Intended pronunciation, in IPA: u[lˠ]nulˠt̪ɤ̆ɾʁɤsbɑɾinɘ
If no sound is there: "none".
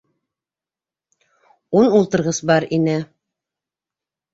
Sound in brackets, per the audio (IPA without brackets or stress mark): none